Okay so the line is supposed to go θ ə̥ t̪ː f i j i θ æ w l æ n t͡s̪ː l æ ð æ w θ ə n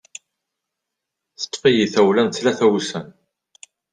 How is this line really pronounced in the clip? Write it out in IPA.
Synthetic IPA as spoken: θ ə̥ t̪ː f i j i θ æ w l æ n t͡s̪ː l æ θ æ w s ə n